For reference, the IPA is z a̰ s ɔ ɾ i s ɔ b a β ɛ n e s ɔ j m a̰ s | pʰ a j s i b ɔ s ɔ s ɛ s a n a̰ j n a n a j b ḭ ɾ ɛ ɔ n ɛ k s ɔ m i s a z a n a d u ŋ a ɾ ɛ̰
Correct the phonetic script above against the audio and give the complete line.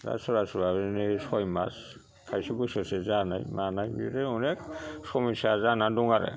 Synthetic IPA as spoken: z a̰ s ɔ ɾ a s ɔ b a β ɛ n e s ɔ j m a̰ s | kʰ a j s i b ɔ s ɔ s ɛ z a n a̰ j m a n a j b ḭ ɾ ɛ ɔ n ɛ k s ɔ m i s a z a n a d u ŋ a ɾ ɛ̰